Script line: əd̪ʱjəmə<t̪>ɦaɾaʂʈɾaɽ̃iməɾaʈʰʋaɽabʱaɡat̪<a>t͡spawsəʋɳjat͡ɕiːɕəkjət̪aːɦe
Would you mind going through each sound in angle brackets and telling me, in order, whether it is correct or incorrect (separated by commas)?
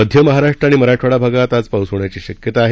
incorrect, correct